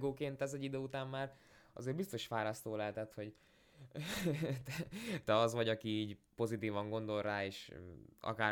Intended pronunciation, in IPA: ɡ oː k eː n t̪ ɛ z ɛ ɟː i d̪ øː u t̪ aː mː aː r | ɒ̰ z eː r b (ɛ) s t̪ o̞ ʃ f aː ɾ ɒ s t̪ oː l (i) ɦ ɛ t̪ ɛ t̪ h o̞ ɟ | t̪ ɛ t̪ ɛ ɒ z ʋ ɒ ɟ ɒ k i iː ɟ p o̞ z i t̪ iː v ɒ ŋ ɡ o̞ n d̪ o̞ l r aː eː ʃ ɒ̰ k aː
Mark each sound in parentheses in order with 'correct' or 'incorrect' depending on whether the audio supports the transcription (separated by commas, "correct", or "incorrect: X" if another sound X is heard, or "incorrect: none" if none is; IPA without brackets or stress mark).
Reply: incorrect: i, incorrect: ɛ